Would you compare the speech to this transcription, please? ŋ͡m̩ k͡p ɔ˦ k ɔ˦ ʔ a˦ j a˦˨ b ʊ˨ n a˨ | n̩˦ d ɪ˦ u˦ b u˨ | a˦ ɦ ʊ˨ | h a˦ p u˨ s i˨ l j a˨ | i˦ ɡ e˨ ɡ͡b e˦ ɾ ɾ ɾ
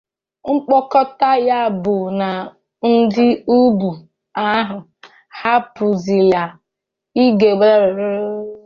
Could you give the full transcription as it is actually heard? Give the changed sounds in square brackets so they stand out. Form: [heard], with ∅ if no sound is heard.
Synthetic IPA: ŋ͡m̩ k͡p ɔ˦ k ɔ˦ [t] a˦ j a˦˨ b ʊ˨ n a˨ | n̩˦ d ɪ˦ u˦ b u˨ | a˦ ɦ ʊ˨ | h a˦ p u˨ [z] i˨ l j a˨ | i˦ ɡ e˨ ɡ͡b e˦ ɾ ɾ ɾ